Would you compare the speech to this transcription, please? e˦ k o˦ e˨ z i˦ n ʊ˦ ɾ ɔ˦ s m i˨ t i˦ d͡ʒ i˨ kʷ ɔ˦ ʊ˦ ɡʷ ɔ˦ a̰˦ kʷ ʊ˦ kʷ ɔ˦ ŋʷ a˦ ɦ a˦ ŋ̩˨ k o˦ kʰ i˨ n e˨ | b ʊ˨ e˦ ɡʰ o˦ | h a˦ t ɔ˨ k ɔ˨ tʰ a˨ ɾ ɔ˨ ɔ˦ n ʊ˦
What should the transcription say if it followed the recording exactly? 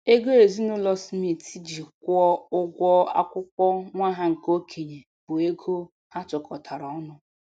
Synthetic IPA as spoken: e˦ ɡ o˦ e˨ z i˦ n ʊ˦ l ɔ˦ s m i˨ t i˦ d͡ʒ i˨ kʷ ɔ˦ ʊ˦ ɡʷ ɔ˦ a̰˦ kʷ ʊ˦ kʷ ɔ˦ ŋʷ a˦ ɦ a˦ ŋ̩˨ k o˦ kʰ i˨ ɲ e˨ | b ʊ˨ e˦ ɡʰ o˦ | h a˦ t͡ʃ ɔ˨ k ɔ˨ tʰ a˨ ɾ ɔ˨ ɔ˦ n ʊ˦